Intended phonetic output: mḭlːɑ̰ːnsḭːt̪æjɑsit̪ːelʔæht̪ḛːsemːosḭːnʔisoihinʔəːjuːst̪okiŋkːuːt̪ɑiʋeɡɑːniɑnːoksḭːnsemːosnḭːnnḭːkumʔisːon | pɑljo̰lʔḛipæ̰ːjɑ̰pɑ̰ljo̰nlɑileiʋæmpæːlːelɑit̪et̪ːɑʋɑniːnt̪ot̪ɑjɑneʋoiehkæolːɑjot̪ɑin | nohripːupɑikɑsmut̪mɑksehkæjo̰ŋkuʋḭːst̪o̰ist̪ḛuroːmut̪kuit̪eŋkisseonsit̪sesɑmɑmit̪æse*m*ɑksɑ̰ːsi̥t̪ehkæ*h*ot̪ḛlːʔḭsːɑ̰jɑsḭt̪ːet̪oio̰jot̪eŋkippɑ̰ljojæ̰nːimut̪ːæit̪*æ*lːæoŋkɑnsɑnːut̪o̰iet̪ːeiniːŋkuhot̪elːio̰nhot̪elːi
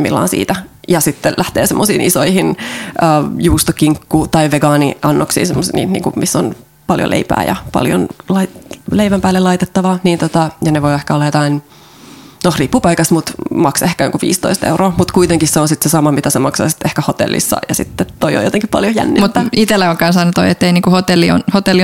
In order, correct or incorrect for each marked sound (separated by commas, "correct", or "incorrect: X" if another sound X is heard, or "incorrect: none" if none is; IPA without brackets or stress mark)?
correct, correct, incorrect: e